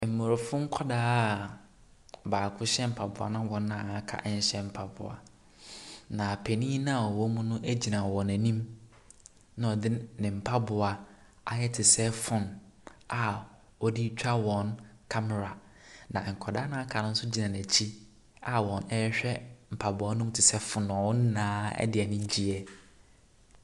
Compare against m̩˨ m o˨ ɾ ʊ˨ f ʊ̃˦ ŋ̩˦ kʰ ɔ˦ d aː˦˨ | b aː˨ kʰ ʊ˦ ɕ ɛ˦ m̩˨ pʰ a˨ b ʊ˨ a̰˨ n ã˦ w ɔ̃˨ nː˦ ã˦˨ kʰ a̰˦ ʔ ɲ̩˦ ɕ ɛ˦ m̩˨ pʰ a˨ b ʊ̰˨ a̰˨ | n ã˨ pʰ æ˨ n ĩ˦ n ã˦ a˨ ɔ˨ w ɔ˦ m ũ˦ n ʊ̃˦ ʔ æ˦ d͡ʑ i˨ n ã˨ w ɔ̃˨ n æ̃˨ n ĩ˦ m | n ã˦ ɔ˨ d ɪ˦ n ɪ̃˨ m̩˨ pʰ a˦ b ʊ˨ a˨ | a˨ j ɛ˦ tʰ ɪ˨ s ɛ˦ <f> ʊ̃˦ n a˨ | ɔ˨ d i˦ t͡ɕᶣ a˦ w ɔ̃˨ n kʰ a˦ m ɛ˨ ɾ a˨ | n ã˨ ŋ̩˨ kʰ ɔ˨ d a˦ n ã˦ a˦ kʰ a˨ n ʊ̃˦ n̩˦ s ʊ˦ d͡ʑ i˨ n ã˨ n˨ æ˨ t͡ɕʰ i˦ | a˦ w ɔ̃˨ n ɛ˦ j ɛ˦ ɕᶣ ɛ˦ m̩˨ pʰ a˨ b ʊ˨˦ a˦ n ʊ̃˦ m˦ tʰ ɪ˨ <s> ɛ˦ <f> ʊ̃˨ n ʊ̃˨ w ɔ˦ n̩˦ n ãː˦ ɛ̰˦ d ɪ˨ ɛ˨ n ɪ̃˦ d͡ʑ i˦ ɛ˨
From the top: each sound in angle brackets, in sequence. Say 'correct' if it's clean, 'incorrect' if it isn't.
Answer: correct, correct, correct

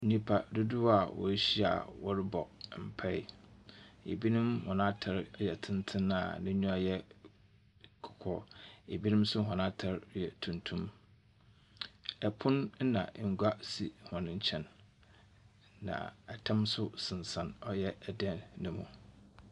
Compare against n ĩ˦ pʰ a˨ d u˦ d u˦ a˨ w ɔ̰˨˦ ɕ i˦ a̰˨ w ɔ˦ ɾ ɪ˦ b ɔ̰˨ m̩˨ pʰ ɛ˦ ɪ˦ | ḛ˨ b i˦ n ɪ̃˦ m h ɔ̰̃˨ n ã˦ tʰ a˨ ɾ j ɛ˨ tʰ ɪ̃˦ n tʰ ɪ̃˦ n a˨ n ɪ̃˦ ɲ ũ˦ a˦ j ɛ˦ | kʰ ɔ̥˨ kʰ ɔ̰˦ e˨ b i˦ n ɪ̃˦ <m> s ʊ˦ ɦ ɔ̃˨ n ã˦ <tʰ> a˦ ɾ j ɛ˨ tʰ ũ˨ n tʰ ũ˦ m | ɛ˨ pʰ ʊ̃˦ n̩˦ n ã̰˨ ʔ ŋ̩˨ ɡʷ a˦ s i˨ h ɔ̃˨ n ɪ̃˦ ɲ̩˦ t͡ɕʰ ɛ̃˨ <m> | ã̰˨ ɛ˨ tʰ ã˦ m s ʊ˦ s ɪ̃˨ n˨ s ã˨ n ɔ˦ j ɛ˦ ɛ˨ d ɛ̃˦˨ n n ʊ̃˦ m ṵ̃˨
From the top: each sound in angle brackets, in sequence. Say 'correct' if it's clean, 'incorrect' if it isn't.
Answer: correct, correct, incorrect: n

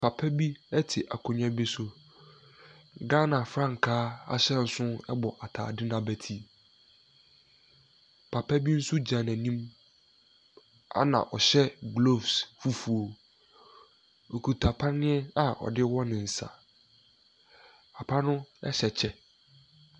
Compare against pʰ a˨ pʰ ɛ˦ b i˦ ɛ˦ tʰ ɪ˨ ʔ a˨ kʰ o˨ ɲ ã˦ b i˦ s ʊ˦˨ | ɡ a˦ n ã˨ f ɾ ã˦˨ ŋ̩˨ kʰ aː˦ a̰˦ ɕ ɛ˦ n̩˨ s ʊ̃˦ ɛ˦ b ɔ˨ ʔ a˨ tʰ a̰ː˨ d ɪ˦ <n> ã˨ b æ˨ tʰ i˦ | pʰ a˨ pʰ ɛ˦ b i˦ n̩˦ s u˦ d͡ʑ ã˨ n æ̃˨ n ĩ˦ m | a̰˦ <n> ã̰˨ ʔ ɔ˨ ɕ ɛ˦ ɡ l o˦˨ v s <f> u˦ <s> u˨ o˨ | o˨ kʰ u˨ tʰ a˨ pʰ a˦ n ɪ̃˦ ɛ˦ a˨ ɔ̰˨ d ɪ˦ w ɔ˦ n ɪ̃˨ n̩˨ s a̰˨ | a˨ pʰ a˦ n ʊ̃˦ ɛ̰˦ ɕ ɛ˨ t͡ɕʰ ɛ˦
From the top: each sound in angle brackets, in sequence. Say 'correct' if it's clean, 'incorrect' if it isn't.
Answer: correct, correct, correct, incorrect: f

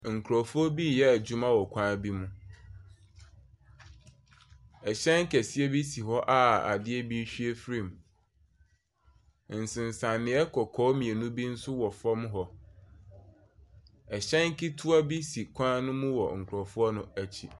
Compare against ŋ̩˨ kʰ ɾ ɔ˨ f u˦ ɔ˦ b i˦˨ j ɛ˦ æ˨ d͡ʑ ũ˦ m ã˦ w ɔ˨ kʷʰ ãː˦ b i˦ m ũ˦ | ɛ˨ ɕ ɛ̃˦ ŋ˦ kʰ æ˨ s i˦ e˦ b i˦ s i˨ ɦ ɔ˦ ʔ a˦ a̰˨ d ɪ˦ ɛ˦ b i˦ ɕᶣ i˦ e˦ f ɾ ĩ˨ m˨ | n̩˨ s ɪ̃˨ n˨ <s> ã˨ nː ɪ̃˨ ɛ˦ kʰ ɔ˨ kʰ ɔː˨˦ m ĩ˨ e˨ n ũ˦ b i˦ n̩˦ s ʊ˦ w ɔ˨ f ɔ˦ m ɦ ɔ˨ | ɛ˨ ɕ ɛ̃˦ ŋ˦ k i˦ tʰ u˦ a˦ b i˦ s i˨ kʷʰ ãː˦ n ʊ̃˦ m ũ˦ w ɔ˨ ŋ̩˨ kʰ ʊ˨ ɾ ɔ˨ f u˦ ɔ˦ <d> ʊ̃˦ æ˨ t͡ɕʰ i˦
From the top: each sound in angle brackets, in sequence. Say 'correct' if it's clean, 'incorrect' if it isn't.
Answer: correct, incorrect: n

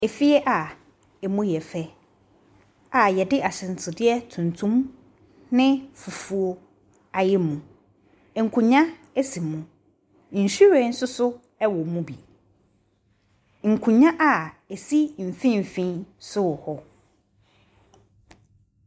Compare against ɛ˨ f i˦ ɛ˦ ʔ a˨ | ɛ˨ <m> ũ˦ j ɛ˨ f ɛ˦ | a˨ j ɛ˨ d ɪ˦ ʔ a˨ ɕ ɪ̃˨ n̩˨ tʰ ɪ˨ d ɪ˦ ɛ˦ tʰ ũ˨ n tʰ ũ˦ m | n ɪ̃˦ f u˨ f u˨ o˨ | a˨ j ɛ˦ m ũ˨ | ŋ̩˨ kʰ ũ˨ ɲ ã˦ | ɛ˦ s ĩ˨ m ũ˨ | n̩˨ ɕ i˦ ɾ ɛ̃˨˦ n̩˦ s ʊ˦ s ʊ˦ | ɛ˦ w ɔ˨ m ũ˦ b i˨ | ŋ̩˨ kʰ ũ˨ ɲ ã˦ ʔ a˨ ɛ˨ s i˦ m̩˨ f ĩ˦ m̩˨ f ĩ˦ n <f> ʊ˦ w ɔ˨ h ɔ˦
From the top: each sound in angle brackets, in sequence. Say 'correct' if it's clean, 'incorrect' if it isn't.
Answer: correct, incorrect: s

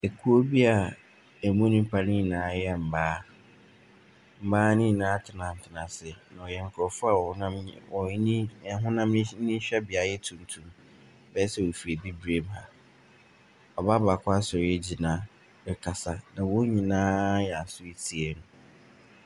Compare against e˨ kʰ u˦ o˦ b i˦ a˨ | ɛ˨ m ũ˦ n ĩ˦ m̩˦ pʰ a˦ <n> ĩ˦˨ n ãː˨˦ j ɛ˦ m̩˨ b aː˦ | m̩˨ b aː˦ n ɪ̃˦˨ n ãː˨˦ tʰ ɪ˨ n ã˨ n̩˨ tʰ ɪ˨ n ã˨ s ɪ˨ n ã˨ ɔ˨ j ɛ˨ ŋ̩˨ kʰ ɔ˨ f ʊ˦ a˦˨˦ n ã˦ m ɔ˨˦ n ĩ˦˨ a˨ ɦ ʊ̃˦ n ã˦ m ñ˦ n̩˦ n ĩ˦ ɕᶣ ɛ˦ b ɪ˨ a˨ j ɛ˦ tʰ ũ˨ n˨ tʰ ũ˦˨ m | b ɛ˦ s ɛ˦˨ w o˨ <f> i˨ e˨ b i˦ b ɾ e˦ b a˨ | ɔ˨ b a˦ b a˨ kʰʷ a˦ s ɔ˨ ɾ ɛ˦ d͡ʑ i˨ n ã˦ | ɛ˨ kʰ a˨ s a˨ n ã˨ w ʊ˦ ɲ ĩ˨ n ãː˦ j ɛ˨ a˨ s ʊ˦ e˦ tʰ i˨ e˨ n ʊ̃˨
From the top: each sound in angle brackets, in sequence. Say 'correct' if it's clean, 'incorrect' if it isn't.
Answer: correct, correct

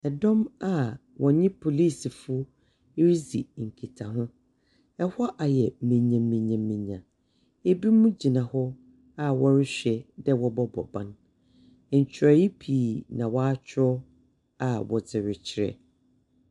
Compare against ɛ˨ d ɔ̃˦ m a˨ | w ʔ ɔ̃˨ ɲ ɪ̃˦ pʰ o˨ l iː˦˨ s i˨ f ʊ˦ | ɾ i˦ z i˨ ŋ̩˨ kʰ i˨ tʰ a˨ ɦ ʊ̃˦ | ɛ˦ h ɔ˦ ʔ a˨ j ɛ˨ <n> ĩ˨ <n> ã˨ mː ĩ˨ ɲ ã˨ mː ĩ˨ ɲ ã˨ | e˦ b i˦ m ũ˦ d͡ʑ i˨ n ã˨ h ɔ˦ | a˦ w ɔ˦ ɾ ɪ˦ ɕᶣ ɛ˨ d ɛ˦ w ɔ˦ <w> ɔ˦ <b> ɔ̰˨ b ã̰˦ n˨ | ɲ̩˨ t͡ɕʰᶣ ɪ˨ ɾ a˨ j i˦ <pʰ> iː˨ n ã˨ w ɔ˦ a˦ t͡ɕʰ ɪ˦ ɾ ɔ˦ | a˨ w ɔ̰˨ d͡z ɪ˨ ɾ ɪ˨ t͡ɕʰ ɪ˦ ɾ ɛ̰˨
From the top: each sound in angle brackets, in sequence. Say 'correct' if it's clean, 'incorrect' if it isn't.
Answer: incorrect: m, incorrect: ɲ, incorrect: b, correct, correct

